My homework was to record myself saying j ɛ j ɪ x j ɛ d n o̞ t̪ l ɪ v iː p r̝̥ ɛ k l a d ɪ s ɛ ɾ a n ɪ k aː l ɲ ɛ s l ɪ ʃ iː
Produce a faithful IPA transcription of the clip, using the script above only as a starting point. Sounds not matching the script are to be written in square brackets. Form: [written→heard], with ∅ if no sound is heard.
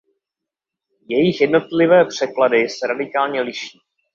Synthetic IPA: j ɛ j ɪ x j ɛ d n o̞ t̪ l ɪ v [iː→ɛː] p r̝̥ ɛ k l a d ɪ s ɛ ɾ a [n→d] ɪ k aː l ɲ ɛ [s→∅] l ɪ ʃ iː